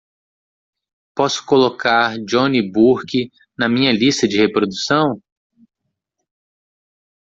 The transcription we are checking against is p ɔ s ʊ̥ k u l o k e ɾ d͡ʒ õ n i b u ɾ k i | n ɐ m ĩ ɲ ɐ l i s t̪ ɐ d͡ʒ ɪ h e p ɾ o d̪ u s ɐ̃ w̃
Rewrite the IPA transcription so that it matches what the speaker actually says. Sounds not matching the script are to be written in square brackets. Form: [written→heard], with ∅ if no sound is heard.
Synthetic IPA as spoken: p ɔ s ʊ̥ k [u→o] l o k [e→a] ɾ d͡ʒ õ n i b u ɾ k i | n ɐ m ĩ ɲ ɐ l i s t̪ ɐ d͡ʒ ɪ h e p ɾ o d̪ u s ɐ̃ w̃